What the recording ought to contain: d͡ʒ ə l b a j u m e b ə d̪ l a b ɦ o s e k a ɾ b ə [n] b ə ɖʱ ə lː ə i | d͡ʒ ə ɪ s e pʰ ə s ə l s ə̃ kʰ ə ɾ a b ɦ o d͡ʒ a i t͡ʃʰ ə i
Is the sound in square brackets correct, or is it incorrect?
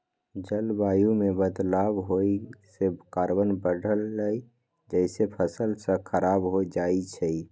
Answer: correct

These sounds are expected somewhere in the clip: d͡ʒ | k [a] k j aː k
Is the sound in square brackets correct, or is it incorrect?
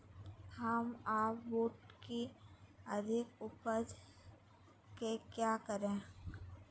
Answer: incorrect: e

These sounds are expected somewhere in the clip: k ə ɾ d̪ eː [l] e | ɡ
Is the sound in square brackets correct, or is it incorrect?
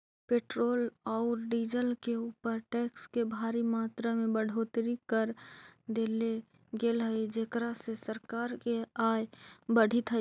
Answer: correct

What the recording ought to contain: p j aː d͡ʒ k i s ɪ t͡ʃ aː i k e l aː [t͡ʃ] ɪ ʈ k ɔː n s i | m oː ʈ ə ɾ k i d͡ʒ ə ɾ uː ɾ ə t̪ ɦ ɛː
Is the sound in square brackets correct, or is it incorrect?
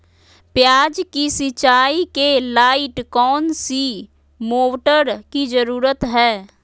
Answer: incorrect: none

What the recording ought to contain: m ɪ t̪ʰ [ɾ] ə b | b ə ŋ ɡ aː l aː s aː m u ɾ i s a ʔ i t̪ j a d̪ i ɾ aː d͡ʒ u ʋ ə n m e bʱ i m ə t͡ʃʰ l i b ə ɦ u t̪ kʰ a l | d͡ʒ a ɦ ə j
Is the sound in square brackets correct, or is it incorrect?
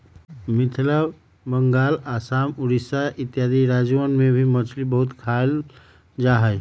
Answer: incorrect: l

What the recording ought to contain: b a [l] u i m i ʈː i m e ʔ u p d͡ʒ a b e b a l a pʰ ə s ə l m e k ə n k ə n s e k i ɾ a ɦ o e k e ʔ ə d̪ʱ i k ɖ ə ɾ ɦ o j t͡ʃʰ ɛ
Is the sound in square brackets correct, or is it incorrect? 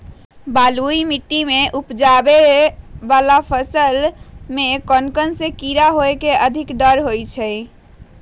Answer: correct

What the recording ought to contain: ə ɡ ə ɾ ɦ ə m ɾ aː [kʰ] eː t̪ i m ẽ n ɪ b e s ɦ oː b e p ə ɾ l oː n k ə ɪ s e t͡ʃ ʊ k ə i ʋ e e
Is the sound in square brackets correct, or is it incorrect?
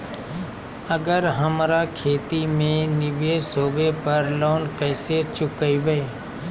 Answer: correct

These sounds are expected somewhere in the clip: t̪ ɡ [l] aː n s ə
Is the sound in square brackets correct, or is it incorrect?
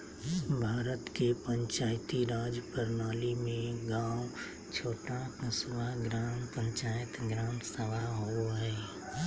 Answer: incorrect: ɾ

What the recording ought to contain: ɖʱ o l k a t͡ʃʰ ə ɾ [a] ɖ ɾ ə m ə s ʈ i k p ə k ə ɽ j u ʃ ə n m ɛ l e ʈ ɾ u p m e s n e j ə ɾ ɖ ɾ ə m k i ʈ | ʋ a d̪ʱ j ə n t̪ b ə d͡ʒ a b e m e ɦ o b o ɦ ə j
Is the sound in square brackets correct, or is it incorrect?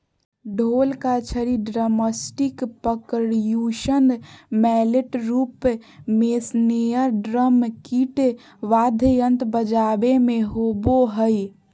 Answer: incorrect: i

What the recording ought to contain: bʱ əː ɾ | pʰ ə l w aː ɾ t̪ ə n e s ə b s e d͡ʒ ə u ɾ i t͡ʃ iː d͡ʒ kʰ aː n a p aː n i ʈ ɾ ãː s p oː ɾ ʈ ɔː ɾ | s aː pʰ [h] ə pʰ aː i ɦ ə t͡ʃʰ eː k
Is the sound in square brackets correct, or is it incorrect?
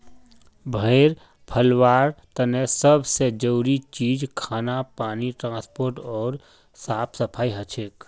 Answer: incorrect: s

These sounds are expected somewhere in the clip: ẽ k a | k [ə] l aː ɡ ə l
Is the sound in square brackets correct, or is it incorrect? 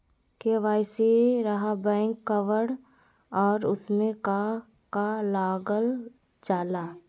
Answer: incorrect: a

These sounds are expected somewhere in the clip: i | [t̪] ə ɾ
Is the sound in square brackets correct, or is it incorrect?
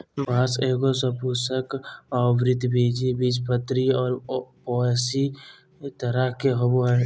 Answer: correct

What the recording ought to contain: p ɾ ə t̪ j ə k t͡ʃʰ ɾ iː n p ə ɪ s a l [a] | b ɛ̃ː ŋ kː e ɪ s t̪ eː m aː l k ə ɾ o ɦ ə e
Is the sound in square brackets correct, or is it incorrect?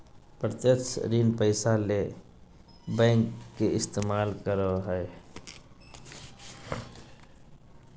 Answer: incorrect: e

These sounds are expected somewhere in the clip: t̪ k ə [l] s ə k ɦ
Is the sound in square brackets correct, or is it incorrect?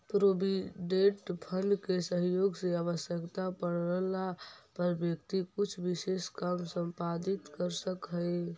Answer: incorrect: ɾ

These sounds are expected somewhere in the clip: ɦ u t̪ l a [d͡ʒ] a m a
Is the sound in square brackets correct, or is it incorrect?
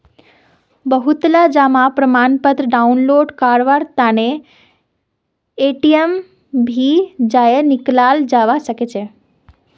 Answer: correct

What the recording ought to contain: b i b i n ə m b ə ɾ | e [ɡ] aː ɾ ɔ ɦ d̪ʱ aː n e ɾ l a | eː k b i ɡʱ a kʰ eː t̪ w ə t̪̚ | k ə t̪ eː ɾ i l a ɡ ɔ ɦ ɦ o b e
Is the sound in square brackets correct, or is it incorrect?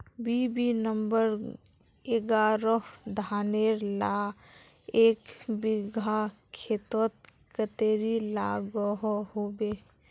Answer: correct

